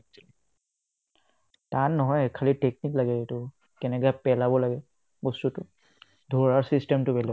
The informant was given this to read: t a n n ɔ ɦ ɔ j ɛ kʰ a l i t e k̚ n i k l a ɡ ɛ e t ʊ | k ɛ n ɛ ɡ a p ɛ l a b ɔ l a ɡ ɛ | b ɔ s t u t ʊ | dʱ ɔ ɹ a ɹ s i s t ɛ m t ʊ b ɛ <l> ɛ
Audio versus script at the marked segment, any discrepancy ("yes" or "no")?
no